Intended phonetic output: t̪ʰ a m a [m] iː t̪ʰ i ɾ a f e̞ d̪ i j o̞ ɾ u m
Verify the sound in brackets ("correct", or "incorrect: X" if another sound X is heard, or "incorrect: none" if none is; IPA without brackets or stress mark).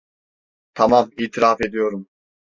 correct